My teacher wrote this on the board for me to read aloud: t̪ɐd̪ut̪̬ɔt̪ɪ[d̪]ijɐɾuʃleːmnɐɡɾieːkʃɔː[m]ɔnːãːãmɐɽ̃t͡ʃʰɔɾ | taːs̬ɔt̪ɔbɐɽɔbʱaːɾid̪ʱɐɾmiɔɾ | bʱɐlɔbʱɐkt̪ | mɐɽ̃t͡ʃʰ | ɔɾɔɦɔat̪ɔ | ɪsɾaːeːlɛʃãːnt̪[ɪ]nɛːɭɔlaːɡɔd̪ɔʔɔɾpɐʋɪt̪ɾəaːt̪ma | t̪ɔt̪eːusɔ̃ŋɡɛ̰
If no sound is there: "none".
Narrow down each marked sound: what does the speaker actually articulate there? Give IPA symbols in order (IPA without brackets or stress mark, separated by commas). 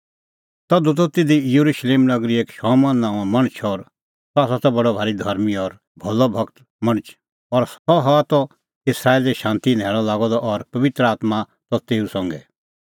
d̪, m, i